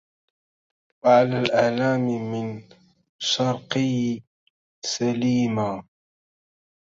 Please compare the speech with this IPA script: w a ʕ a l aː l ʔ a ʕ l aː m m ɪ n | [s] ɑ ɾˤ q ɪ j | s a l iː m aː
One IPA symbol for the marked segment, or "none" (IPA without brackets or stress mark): ʃ